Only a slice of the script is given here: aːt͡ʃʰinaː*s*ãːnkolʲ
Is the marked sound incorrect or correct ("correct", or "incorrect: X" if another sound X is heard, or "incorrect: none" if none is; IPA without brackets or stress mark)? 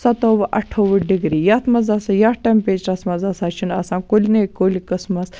correct